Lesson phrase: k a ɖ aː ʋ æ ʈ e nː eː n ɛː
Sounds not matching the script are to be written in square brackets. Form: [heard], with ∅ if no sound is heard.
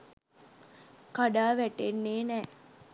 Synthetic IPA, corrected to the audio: k a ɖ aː ʋ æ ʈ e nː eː n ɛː